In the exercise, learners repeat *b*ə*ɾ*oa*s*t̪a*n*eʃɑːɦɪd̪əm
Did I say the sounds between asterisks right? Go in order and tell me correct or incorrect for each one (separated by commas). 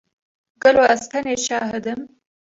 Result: incorrect, incorrect, correct, correct